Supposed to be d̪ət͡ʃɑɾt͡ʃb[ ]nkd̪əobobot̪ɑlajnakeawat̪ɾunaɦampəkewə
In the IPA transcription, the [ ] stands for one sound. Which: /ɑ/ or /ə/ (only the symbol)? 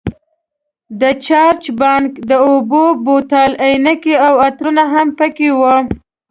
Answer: ɑ